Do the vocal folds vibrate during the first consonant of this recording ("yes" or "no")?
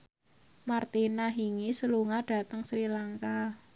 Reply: yes